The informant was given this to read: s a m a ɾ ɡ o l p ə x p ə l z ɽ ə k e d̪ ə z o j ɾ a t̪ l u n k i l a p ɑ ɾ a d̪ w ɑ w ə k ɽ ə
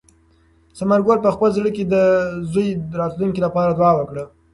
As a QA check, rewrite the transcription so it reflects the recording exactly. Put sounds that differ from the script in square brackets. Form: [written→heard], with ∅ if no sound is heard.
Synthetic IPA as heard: s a m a ɾ ɡ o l p ə x p ə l z ɽ ə k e d̪ ə z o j ɾ [a→ɑ] t̪ l u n k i l a p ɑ ɾ a d̪ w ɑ w ə k ɽ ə